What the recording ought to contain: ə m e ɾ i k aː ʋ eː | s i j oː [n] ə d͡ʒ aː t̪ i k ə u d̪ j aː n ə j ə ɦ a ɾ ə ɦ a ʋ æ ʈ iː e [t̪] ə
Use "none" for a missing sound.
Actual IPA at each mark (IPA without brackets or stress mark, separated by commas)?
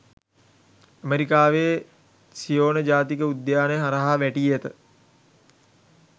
n, t̪